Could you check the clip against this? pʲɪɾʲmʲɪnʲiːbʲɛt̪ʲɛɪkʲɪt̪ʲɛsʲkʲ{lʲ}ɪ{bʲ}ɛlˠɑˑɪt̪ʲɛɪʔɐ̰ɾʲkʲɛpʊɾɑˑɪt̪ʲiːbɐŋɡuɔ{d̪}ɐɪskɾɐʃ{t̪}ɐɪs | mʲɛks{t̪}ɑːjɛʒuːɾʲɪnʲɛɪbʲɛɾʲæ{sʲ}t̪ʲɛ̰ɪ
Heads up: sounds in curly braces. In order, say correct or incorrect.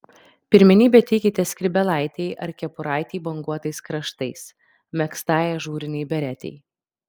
incorrect: ɾʲ, correct, incorrect: t̪, correct, correct, incorrect: none

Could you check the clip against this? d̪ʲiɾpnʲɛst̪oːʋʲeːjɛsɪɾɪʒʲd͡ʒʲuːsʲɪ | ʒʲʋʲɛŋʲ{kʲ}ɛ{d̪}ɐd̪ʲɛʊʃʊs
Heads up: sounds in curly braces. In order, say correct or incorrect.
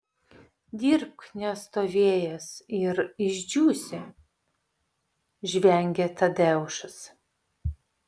incorrect: ɡʲ, incorrect: t̪

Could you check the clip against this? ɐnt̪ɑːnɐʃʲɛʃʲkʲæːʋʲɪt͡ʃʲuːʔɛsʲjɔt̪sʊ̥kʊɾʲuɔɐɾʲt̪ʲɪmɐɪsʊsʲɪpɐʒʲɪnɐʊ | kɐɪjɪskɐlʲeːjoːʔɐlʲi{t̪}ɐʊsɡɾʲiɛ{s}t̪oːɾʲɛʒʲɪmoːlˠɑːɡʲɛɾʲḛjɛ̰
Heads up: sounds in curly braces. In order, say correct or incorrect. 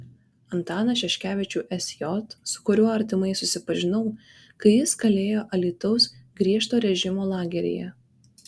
correct, incorrect: ʃ

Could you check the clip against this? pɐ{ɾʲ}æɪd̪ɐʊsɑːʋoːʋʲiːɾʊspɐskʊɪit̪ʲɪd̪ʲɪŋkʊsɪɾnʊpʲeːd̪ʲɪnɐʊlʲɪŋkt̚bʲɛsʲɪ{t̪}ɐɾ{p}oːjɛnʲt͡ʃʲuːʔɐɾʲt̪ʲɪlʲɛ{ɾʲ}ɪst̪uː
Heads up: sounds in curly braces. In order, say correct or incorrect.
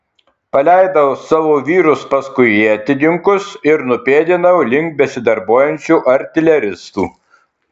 incorrect: lʲ, incorrect: d̪, incorrect: b, correct

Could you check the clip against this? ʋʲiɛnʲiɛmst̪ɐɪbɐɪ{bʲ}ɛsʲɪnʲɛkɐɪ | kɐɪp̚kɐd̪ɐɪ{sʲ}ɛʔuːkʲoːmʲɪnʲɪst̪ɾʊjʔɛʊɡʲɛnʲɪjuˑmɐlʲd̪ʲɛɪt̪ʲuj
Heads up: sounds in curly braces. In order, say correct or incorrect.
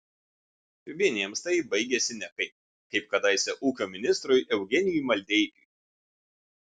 incorrect: ɡʲ, correct

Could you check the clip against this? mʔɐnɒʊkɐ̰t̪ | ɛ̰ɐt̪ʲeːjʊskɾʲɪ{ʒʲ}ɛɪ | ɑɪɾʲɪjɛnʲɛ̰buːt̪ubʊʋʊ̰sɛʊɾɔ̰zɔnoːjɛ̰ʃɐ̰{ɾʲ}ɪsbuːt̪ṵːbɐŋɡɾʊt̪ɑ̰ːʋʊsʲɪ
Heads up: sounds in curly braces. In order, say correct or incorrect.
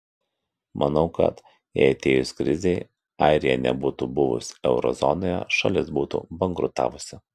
incorrect: zʲ, incorrect: lʲ

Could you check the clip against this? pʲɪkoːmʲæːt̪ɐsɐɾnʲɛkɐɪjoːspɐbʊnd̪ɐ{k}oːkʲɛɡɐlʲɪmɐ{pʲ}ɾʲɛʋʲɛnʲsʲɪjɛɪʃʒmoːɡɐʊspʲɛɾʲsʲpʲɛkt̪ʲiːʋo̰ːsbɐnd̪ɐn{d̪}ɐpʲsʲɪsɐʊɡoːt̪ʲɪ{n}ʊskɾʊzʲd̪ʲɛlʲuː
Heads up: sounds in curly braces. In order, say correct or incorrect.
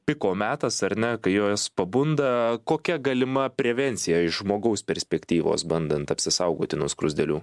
correct, correct, incorrect: t̪, correct

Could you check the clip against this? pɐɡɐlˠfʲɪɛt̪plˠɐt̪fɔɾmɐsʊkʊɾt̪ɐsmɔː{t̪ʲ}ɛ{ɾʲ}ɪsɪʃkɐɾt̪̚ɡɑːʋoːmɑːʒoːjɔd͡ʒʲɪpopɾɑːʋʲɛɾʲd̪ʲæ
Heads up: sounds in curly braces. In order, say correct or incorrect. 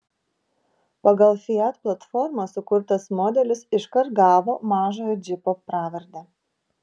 incorrect: d̪ʲ, incorrect: lʲ

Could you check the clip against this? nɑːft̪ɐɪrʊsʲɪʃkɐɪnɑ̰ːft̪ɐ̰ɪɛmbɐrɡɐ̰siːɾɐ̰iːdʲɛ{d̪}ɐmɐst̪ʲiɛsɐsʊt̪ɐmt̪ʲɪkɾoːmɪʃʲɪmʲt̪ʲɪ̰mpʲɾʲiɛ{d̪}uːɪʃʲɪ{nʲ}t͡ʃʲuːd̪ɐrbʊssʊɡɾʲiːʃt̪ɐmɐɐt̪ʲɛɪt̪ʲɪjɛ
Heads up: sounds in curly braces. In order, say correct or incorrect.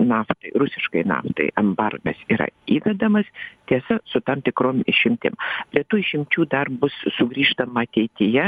correct, incorrect: t̪, incorrect: mʲ

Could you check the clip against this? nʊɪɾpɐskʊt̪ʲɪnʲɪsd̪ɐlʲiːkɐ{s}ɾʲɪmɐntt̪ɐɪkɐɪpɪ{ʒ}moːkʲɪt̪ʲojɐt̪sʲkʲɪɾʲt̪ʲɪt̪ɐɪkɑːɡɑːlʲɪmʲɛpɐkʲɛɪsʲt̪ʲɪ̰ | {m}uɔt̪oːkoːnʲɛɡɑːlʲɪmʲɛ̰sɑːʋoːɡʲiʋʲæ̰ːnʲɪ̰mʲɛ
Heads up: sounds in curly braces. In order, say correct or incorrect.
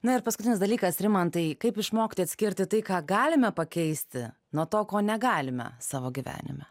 correct, incorrect: ʃ, incorrect: n

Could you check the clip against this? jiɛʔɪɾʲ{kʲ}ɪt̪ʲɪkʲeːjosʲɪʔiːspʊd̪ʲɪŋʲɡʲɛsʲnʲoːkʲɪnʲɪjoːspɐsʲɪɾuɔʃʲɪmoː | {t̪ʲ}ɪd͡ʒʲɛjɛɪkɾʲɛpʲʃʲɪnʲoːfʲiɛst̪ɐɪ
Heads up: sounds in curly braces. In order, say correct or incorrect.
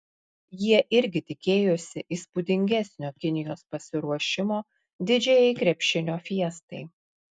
incorrect: ɡʲ, incorrect: d̪ʲ

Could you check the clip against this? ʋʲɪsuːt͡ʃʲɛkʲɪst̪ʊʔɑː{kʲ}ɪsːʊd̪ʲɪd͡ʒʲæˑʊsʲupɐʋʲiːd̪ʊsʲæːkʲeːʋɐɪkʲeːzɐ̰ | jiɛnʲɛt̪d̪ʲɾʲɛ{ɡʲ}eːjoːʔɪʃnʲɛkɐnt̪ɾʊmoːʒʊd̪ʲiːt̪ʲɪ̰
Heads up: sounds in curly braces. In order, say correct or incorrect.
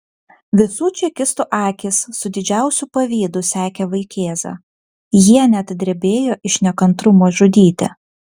correct, incorrect: bʲ

